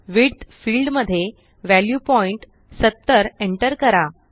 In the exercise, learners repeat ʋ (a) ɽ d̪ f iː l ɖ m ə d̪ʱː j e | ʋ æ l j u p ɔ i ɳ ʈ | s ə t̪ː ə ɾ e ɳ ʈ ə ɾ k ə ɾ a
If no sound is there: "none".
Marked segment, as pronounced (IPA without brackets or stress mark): i